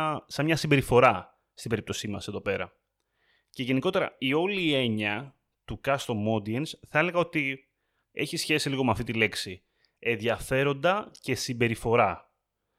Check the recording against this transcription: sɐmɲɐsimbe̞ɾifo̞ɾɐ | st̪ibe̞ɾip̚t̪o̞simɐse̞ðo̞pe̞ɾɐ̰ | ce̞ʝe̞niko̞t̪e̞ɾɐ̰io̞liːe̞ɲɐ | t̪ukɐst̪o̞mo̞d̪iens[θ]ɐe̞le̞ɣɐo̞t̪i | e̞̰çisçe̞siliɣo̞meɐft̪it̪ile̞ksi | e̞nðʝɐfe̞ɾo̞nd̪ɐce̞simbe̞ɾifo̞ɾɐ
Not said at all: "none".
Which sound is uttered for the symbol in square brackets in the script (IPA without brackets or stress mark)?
θ